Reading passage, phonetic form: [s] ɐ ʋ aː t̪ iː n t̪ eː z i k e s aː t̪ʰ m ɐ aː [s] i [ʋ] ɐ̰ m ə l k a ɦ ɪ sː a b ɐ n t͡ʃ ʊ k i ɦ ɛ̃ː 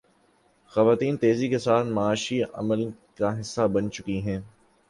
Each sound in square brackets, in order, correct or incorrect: incorrect, incorrect, incorrect

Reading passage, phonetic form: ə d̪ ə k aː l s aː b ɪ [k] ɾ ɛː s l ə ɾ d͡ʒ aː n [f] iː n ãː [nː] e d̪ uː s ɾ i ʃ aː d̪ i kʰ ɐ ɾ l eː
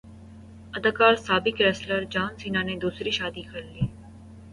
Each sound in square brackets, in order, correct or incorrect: correct, incorrect, incorrect

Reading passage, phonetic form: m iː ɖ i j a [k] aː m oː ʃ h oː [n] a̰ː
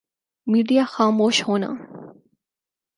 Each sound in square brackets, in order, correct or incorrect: incorrect, correct

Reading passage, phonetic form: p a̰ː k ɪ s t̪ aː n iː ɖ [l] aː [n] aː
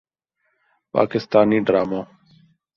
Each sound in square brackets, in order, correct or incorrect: incorrect, incorrect

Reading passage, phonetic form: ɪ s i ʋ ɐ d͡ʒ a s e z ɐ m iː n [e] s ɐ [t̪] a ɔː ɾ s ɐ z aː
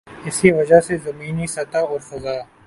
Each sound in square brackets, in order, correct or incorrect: incorrect, correct

